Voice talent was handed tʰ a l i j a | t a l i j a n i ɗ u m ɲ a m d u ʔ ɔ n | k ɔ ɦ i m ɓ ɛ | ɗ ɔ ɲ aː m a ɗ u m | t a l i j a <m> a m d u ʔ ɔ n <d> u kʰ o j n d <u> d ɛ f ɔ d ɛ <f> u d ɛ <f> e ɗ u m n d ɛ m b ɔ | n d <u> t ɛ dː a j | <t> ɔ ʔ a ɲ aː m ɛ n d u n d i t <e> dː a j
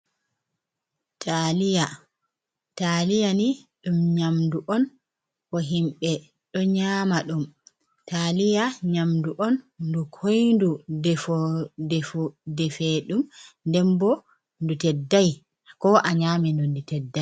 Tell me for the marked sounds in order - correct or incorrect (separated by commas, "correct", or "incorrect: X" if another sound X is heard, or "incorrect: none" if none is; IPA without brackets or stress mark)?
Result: incorrect: ɲ, correct, correct, correct, correct, correct, incorrect: k, incorrect: ɛ